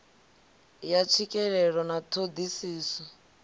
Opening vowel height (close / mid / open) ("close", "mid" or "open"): open